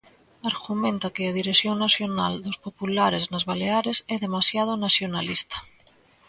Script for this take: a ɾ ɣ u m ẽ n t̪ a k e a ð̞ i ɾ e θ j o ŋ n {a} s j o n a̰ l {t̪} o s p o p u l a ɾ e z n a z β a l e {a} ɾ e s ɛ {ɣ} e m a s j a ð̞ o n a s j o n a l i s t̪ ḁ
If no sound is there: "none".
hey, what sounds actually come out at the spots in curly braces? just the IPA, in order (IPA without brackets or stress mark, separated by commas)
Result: a, d̪, a, ð